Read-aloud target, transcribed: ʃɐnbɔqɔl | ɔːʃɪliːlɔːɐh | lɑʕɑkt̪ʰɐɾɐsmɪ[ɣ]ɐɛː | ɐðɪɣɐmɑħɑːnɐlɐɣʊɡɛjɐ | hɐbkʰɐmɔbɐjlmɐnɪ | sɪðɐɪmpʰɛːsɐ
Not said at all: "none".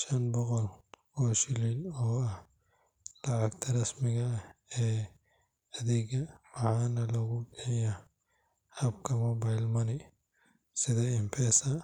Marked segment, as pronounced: ɣ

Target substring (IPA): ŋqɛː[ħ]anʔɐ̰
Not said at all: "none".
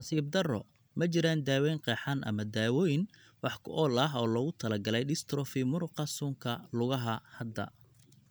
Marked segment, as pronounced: ħ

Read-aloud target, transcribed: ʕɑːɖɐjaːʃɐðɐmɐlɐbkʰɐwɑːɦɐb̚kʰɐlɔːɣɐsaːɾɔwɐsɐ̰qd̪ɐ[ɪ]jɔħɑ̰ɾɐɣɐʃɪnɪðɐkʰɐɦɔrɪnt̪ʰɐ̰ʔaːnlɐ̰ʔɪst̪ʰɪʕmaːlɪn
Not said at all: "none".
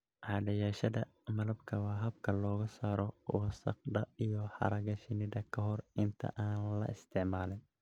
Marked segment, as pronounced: i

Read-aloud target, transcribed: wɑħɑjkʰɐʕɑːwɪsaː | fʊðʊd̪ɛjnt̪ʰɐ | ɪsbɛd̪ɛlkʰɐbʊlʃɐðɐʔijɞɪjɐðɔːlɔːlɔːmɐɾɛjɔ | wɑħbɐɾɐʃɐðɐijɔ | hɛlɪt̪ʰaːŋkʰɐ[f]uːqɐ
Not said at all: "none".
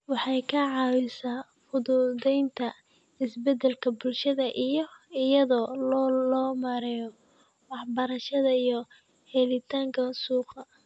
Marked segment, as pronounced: s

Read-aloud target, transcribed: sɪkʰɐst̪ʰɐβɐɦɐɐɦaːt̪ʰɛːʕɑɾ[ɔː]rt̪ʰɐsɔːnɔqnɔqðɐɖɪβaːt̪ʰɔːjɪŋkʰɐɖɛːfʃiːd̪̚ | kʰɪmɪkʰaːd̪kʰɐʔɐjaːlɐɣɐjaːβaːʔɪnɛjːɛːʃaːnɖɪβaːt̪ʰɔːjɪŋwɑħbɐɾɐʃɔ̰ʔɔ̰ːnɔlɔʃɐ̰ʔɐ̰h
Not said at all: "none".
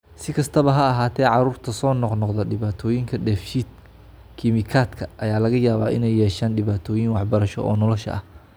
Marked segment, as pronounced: uː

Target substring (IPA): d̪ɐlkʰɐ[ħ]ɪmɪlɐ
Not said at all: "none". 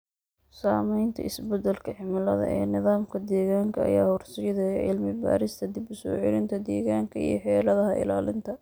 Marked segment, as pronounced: ħ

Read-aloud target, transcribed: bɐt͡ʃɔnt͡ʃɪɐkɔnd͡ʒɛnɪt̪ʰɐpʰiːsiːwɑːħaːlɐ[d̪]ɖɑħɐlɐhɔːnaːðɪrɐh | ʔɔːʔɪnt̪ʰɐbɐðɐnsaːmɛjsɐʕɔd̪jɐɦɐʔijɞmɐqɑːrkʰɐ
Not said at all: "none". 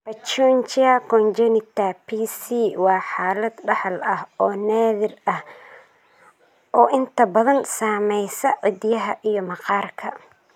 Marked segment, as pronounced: d̪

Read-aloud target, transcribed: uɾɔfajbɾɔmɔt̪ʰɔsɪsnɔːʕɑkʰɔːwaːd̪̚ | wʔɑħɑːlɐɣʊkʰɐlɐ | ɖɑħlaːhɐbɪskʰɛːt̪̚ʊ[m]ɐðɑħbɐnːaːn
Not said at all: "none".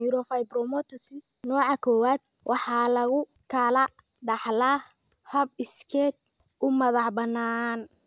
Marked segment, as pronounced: m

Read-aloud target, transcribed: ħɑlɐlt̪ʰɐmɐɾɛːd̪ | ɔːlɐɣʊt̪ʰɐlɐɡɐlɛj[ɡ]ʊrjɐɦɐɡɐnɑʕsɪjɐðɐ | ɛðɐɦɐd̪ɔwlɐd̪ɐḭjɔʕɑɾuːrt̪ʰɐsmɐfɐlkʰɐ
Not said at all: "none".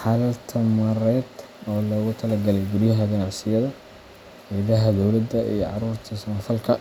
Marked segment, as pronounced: ɡ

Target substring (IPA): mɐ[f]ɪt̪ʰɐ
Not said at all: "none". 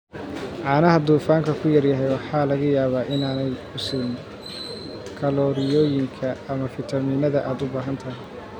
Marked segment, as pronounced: f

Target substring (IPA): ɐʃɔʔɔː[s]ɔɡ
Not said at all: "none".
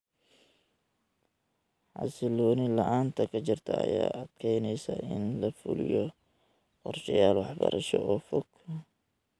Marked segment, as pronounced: f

